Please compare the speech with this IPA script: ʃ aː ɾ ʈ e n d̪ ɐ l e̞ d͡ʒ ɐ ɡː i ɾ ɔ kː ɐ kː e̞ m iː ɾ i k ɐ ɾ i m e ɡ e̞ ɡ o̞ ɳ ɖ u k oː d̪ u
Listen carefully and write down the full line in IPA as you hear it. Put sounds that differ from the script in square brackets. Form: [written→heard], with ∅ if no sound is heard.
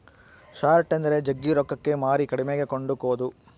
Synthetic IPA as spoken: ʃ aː ɾ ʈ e n d̪ ɐ [l→ɾ] e̞ d͡ʒ ɐ ɡː i ɾ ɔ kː ɐ kː e̞ m [iː→aː] ɾ i k ɐ [ɾ→ɽ] i m e ɡ e̞ [ɡ→k] o̞ ɳ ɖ u k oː d̪ u